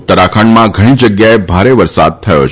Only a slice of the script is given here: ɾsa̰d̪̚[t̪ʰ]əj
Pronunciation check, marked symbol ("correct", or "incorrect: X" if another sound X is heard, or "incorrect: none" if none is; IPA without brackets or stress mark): correct